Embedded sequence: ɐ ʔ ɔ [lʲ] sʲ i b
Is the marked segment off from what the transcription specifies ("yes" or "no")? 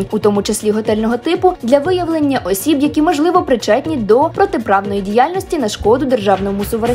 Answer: yes